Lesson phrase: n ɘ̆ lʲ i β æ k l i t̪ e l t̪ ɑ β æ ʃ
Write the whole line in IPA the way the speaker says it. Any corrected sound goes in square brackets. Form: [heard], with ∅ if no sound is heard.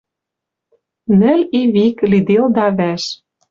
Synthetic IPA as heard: n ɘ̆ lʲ i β [i] k l i [d̪] e l [d̪] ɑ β æ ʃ